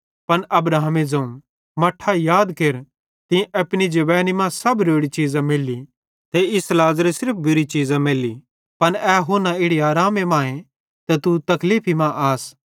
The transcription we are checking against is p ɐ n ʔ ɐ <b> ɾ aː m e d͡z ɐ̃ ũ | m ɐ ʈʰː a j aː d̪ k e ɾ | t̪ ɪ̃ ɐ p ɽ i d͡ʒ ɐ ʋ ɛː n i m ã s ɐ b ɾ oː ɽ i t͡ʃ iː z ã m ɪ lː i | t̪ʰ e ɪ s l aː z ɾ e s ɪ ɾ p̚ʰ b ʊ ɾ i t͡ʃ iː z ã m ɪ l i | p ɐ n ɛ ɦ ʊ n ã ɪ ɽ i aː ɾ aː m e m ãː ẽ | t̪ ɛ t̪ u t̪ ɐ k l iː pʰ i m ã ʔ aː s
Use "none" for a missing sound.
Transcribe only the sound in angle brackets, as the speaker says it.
b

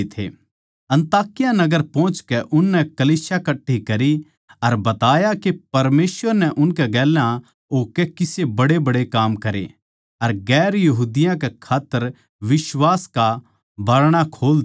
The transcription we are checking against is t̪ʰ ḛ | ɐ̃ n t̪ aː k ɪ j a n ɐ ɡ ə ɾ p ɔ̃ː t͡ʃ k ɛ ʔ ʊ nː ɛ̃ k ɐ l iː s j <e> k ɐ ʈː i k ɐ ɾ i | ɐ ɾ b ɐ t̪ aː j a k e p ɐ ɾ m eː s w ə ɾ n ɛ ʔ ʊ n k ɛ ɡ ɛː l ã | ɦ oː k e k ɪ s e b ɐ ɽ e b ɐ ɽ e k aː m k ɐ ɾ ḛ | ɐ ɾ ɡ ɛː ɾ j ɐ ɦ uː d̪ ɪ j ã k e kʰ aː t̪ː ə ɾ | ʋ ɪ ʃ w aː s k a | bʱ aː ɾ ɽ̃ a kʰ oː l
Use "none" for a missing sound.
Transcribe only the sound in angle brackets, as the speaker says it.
a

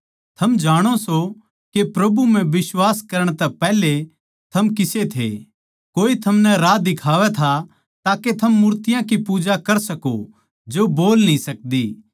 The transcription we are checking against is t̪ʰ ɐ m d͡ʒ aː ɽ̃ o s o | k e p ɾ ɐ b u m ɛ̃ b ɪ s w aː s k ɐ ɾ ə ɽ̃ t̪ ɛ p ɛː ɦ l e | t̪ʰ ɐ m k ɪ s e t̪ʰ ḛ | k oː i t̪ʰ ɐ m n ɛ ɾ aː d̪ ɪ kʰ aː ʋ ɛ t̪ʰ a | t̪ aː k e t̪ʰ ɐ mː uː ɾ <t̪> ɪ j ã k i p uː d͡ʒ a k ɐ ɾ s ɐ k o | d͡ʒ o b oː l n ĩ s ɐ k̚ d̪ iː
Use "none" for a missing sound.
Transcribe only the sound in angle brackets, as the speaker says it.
t̪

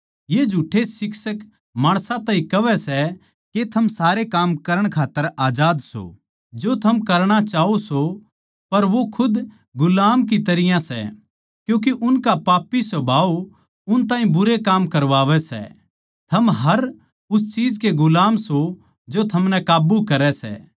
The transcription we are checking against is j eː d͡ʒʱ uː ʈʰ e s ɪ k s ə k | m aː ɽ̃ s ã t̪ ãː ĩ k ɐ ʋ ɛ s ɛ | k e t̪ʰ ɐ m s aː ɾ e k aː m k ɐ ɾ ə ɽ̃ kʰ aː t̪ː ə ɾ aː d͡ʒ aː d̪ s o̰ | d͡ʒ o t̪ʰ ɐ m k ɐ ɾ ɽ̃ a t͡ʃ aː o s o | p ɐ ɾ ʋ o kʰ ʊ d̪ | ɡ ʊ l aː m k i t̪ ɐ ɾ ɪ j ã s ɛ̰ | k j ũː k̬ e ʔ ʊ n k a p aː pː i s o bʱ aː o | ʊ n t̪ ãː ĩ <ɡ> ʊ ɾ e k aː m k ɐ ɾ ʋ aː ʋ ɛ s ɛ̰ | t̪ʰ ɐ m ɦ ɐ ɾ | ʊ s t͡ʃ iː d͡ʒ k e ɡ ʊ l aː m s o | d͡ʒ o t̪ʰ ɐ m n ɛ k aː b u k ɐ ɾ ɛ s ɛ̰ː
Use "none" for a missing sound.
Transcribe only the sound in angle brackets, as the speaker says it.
b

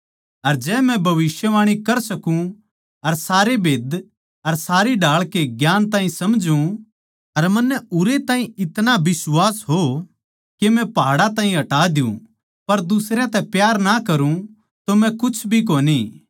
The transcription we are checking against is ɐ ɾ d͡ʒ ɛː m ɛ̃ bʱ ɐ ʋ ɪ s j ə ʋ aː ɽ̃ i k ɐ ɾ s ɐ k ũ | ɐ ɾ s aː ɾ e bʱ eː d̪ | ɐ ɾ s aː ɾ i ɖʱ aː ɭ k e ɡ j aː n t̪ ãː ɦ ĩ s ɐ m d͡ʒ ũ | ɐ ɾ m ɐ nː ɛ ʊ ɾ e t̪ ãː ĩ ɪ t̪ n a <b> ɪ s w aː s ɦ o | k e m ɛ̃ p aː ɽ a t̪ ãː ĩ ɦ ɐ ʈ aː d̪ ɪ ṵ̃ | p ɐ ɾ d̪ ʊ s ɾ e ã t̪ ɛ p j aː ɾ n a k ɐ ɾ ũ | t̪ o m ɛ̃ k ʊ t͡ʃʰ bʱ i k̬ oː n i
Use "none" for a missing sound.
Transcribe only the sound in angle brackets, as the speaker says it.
b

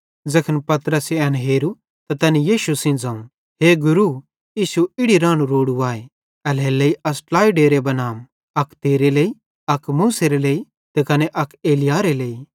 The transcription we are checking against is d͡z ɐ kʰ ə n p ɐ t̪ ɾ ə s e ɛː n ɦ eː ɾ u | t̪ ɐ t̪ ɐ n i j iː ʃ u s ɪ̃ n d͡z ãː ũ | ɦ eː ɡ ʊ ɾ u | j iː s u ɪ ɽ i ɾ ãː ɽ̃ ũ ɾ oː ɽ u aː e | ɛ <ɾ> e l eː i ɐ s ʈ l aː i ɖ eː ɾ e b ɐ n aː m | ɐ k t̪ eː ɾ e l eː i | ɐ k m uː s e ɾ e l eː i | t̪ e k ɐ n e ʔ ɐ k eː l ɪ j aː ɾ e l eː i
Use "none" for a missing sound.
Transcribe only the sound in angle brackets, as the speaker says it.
l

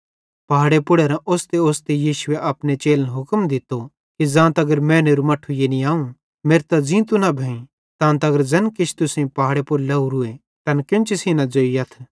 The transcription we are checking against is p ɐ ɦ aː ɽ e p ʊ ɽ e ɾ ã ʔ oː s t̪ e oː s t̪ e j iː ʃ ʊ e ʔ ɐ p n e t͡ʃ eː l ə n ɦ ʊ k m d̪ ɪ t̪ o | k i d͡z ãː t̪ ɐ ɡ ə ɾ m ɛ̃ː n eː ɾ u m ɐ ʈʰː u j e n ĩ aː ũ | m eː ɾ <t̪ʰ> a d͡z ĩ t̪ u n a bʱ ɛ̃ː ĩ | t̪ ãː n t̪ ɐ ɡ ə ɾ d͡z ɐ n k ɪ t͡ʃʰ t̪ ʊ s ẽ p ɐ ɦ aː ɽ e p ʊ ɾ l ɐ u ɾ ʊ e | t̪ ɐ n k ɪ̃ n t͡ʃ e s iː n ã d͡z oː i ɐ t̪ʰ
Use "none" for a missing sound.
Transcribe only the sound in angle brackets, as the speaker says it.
t̪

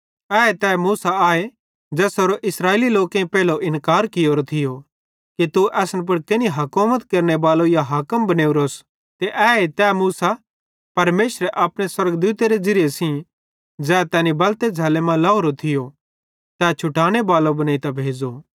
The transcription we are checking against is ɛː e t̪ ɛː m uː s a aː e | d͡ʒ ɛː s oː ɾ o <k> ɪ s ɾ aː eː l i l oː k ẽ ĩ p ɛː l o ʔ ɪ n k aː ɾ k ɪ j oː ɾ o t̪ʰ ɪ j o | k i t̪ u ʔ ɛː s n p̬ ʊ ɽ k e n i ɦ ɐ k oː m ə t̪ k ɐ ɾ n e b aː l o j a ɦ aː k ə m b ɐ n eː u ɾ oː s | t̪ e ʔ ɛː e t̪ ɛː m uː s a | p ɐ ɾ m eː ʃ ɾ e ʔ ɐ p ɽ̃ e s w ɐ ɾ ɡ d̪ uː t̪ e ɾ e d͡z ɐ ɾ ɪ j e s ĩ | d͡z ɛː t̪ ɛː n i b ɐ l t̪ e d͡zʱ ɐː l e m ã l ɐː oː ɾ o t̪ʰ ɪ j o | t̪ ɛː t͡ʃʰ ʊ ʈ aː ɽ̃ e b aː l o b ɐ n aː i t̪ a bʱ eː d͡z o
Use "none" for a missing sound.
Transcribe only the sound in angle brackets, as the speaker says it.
ʔ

